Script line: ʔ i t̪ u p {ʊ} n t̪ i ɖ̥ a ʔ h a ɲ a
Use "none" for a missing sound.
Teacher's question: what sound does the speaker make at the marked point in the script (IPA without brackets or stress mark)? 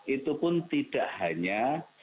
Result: ʊ